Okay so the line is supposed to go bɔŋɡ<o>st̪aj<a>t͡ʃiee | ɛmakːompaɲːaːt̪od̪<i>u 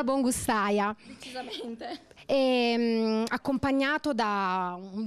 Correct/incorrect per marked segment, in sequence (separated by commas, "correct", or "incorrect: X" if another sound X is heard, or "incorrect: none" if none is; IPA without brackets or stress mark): incorrect: u, correct, incorrect: a